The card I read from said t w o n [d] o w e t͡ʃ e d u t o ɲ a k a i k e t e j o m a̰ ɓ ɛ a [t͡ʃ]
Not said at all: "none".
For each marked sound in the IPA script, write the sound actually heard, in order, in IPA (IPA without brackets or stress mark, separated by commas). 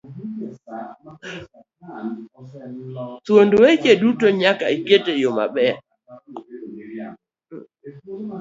d, none